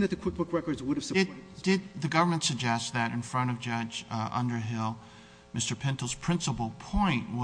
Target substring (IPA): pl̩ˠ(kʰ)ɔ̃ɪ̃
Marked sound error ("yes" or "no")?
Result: yes